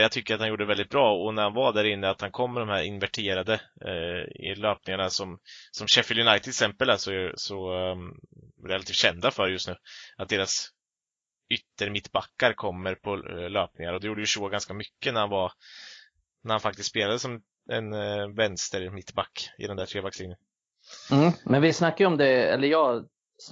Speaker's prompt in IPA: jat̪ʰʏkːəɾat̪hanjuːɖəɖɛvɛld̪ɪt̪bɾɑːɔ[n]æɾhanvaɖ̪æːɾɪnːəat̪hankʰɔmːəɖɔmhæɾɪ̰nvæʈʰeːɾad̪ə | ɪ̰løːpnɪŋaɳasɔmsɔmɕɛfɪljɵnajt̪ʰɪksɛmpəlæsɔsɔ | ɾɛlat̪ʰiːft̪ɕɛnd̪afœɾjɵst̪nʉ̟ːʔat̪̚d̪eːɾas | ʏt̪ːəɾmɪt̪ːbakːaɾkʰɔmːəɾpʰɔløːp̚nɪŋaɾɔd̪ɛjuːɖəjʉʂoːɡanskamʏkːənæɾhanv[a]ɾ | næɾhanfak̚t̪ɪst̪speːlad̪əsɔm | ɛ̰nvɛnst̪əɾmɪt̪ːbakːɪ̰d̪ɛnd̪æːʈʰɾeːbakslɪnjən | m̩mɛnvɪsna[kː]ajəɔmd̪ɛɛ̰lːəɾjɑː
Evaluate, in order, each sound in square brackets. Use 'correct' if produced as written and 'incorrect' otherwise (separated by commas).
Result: correct, correct, correct